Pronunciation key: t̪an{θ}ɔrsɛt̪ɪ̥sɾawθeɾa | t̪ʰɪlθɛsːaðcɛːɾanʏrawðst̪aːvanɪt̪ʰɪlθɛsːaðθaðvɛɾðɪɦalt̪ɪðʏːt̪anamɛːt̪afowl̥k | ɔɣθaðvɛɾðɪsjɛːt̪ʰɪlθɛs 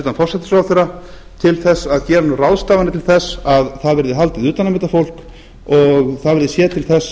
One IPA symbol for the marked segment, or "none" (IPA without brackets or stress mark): f